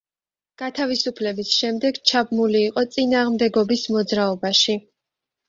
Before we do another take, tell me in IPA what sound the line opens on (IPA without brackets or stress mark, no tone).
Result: ɡ̥